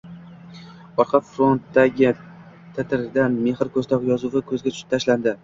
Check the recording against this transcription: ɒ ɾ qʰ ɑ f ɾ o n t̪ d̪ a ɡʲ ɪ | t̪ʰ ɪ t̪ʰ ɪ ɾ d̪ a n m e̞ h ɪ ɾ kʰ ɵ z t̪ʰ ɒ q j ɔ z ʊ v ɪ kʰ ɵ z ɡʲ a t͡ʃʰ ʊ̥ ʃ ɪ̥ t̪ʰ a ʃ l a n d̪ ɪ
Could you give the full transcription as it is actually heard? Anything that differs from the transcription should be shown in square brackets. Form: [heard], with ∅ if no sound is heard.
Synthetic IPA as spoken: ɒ ɾ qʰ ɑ f ɾ o n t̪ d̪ a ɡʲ ɪ | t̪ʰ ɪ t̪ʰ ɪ ɾ d̪ a n m e̞ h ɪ ɾ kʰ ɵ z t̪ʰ ɒ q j [ɒ] z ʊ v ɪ kʰ ɵ z ɡʲ a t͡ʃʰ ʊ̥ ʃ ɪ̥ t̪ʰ a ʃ l a n d̪ ɪ